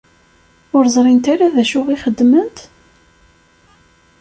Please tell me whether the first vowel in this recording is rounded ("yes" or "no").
yes